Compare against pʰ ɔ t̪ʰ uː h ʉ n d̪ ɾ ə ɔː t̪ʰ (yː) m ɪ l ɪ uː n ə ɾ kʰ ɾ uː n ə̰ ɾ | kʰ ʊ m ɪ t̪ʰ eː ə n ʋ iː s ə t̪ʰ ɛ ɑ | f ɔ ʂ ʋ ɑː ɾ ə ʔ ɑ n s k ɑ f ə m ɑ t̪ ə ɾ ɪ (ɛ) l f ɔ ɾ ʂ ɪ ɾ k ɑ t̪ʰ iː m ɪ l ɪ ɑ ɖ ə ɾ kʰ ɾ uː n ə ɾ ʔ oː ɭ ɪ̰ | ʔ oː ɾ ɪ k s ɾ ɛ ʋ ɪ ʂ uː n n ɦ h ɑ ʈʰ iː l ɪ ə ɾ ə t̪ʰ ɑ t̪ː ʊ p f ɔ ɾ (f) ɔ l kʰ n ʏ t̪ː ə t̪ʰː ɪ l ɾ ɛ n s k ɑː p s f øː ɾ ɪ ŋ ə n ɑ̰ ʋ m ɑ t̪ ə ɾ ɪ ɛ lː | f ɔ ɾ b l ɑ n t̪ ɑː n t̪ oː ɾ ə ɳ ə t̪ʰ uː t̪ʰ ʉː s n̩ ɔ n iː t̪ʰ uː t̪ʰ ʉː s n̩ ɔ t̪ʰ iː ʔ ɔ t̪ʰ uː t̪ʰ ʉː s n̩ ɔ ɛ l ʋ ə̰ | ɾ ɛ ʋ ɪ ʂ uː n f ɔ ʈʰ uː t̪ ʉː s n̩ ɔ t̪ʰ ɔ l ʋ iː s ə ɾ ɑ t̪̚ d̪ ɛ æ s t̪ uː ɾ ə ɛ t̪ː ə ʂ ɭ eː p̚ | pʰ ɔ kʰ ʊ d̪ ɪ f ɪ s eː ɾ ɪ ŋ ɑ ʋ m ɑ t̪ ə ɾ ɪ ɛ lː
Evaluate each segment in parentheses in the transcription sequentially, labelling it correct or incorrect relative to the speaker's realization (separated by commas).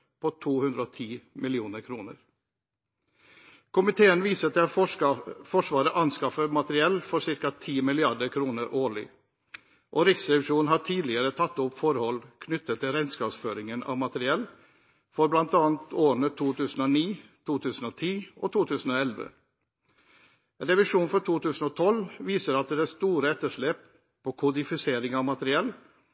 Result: incorrect, correct, incorrect